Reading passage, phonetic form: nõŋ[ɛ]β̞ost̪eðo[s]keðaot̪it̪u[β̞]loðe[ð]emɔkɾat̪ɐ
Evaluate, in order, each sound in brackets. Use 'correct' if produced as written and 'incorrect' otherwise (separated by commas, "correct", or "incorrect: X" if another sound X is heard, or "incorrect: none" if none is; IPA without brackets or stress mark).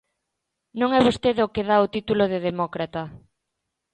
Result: correct, incorrect: none, incorrect: none, correct